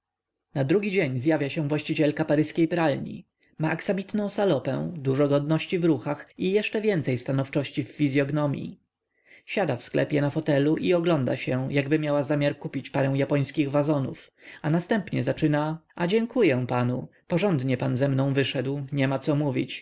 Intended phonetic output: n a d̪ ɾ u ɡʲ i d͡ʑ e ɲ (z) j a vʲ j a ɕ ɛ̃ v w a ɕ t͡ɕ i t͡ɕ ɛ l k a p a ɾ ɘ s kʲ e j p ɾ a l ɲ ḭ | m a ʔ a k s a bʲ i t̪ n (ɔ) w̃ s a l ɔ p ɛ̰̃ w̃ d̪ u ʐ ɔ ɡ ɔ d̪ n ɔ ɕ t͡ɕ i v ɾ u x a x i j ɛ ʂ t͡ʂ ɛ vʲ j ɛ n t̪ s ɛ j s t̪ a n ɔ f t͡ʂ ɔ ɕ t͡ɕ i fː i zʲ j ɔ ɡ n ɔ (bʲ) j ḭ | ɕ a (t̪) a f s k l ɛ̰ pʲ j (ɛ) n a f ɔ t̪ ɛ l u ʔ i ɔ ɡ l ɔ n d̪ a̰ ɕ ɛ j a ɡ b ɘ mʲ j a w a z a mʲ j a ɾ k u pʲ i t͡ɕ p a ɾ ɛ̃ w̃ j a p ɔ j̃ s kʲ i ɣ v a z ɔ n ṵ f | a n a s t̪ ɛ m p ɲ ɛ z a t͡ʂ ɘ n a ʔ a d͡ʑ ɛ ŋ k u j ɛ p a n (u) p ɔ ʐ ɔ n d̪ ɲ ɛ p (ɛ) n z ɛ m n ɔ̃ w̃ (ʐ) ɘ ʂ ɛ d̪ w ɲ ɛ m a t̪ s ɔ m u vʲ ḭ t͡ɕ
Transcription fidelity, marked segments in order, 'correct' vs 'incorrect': correct, incorrect, incorrect, incorrect, correct, correct, incorrect, incorrect

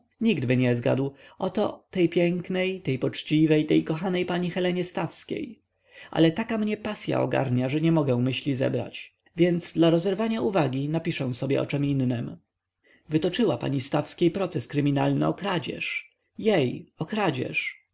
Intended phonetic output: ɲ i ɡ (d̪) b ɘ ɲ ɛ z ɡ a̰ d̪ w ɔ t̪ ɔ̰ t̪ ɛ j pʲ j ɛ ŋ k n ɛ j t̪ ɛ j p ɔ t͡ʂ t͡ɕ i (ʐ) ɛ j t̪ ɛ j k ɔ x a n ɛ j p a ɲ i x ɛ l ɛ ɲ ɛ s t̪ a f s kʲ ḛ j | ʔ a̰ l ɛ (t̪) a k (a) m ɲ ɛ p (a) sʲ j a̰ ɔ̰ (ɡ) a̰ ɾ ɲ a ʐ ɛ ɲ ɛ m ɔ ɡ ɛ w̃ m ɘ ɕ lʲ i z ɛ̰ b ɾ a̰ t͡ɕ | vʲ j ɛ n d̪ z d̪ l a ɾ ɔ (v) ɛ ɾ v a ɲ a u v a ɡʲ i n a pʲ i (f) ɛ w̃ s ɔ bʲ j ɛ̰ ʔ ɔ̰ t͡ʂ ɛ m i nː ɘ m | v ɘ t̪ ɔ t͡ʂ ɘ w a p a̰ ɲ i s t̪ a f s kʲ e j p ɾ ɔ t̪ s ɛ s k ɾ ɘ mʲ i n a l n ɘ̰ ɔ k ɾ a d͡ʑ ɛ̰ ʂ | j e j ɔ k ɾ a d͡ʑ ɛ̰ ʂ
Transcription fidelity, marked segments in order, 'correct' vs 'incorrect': correct, incorrect, correct, correct, correct, correct, incorrect, incorrect

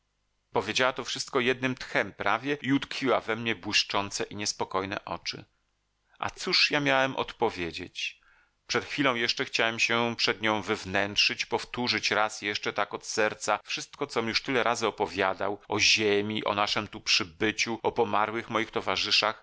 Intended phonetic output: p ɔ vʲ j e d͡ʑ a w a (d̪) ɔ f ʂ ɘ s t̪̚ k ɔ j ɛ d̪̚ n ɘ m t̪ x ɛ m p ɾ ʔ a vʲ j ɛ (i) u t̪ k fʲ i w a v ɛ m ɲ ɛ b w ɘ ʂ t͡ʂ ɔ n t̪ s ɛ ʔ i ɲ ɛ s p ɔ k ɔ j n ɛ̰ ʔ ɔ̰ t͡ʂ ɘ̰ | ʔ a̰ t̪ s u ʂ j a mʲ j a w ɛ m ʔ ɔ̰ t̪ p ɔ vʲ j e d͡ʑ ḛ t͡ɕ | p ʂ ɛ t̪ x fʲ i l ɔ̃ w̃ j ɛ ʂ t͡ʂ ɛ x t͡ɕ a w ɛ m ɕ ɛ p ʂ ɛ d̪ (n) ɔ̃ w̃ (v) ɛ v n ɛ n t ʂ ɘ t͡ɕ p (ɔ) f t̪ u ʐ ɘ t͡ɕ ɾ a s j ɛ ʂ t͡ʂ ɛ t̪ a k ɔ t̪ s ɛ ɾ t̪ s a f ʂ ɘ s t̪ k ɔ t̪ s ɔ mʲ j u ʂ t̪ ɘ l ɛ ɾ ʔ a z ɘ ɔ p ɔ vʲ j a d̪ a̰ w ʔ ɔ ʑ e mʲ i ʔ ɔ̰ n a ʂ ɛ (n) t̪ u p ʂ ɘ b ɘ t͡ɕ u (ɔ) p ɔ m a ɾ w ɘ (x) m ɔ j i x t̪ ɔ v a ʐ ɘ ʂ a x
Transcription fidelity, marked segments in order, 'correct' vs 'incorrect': incorrect, correct, incorrect, correct, correct, incorrect, correct, correct

